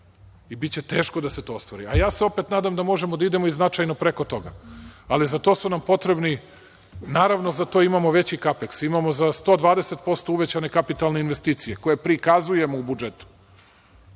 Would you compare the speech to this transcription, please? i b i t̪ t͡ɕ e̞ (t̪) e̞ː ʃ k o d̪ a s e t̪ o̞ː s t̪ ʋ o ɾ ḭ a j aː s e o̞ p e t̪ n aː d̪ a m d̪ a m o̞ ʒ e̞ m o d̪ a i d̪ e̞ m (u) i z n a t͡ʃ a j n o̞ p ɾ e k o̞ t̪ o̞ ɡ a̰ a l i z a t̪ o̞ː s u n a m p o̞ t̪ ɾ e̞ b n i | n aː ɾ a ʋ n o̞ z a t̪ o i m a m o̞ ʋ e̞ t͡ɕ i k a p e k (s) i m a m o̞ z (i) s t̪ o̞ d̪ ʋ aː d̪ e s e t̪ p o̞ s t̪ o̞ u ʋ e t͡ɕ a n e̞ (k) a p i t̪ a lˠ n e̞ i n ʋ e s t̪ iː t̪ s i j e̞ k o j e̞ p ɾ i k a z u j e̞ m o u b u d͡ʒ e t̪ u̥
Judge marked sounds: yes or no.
yes, no, yes, no, yes

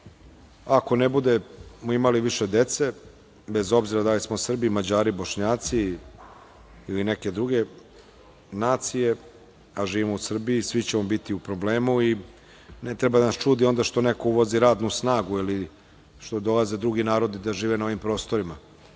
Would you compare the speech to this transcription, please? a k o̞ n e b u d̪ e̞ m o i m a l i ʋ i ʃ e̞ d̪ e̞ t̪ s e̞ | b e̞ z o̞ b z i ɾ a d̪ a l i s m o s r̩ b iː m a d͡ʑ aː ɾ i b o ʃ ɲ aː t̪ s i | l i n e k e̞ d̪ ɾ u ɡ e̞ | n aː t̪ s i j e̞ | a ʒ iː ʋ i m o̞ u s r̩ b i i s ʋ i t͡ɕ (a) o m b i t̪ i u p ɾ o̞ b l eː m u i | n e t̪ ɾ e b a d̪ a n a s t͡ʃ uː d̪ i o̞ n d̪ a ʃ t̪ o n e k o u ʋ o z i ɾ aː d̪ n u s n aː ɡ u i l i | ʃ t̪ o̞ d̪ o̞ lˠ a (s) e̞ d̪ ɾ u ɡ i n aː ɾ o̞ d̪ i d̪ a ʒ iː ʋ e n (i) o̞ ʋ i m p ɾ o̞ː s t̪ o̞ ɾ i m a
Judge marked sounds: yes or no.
no, no, no

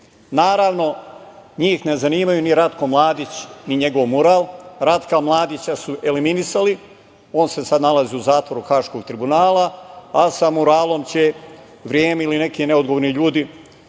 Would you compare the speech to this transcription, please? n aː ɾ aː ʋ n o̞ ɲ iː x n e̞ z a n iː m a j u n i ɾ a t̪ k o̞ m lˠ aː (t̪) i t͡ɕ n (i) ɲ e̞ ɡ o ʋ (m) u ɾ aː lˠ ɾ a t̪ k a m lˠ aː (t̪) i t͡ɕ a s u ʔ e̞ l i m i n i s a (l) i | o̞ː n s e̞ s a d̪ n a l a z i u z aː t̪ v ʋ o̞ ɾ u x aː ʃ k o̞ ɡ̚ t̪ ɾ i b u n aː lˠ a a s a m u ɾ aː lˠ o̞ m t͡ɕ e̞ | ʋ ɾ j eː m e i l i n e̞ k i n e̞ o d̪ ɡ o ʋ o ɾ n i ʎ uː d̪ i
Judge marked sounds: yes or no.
no, yes, yes, no, yes

